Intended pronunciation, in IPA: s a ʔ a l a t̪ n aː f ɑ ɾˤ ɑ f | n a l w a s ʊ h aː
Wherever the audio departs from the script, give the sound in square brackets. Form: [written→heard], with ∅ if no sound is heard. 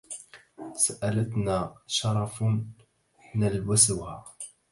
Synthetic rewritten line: s a ʔ a l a t̪ n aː [f→ʃ] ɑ ɾˤ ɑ f | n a l w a s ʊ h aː